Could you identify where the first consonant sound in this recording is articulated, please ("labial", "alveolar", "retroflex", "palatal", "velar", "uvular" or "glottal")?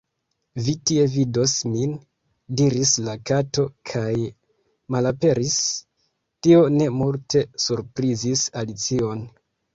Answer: labial